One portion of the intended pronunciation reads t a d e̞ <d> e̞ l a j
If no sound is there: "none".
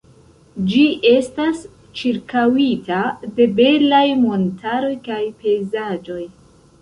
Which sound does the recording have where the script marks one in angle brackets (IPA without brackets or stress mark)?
b